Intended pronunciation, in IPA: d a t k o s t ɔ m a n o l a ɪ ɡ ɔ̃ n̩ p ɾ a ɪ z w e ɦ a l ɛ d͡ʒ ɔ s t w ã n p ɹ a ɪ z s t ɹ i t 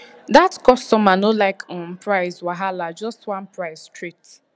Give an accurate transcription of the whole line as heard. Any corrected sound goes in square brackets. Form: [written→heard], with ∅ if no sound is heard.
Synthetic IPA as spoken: d a t k [o→ɔ] s t ɔ m a n o l a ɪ [ɡ→k] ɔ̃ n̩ p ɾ a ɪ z w [e→a] ɦ a l [ɛ→a] d͡ʒ ɔ s t w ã n p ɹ a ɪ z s t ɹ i t

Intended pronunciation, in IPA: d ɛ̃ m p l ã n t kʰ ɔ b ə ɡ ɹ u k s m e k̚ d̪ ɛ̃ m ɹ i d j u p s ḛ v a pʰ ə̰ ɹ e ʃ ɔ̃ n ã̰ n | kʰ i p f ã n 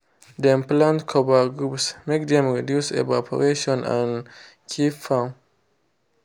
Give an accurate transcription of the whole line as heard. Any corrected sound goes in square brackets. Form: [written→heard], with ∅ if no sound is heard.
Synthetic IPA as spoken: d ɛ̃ m p l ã n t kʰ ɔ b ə ɡ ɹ u [k→p] s m e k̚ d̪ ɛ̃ m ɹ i d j u [p→∅] s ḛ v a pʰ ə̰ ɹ e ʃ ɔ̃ n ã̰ n | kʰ i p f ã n

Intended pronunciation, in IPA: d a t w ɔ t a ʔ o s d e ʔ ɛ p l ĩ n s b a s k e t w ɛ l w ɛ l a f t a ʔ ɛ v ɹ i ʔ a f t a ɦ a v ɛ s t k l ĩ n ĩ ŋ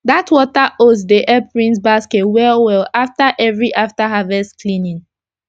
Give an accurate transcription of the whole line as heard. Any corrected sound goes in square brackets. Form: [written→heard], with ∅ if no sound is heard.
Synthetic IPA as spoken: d a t w ɔ t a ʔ o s d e ʔ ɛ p [l→ɹ] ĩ n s b a s k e t w ɛ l w ɛ l a f t a ʔ ɛ v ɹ i ʔ a f t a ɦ a v ɛ s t k l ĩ n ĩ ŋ

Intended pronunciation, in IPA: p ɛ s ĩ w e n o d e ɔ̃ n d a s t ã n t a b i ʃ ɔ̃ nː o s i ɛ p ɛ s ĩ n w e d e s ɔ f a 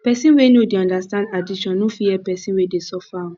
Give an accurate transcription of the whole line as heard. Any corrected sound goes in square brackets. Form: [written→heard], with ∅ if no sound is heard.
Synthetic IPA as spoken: p ɛ s ĩ w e n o d e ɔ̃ n d a s t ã n [t→d] a [b→d] i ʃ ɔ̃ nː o [s→f] i ɛ p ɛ s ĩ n w e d e s ɔ f a

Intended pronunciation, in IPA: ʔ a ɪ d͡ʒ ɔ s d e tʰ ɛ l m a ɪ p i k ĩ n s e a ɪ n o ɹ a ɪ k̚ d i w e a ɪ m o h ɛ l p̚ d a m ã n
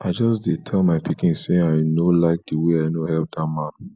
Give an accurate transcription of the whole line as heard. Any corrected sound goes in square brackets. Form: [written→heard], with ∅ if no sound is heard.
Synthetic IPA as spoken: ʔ a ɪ d͡ʒ ɔ s d e tʰ ɛ l m a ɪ p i k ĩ n s e a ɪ n o [ɹ→l] a ɪ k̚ d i w e a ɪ [m→n] o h ɛ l p̚ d a m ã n

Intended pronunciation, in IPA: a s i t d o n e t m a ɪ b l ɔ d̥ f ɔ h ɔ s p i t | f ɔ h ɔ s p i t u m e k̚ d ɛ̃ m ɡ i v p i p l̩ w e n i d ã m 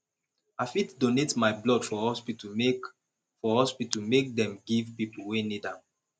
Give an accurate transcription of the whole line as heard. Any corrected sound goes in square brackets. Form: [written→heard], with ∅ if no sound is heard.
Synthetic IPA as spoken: a [s→f] i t d o n e t m a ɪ b l ɔ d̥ f ɔ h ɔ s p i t | f ɔ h ɔ s p i t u m e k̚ d ɛ̃ m ɡ i v p i p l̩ w e n i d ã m

